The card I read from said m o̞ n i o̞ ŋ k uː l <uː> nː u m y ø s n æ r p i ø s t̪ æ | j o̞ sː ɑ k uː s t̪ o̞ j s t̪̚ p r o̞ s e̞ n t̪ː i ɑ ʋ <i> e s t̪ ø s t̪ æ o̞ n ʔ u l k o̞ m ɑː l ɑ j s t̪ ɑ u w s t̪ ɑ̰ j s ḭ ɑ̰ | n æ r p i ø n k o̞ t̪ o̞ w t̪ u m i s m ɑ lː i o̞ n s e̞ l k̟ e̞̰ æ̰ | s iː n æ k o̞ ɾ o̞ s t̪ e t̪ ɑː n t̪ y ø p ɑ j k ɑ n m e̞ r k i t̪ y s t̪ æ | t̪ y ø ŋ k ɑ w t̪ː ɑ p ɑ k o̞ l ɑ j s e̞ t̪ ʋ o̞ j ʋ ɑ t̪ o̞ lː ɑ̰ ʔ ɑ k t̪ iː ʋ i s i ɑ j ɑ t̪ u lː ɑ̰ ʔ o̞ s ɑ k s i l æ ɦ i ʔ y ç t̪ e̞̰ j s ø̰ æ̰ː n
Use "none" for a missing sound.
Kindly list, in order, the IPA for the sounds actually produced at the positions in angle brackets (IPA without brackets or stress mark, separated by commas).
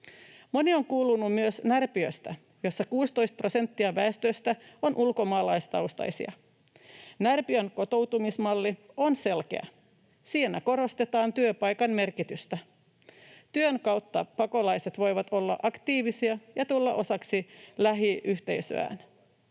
u, æ